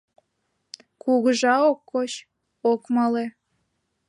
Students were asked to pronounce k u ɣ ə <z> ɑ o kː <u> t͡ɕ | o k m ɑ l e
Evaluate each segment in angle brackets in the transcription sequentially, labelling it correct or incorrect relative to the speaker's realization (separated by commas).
incorrect, incorrect